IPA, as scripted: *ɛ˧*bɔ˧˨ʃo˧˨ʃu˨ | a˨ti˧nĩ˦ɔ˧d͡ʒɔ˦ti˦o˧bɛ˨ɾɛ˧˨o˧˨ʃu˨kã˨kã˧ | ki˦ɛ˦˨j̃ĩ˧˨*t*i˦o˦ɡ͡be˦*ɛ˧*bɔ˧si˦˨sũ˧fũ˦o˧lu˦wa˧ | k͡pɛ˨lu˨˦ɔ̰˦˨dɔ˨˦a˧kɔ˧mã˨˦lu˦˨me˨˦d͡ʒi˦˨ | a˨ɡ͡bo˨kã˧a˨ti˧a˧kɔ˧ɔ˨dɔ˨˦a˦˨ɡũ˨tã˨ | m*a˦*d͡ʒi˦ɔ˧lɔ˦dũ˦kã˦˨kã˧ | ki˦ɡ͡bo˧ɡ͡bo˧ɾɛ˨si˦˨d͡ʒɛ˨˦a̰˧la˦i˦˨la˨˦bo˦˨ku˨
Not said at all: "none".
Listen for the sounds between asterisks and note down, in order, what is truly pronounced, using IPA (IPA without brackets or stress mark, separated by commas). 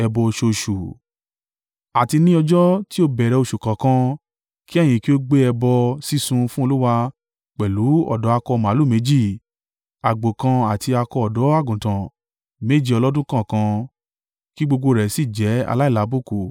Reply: ɛ˧, k, ɛ˧, e˦